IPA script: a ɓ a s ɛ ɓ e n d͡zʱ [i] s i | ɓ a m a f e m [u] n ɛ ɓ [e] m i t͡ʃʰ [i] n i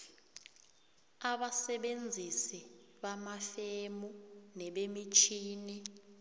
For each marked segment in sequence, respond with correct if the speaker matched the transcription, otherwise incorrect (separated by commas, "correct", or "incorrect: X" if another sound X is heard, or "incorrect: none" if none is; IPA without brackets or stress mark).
correct, correct, correct, incorrect: iː